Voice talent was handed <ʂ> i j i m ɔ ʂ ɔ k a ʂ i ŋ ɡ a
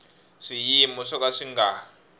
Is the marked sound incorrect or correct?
correct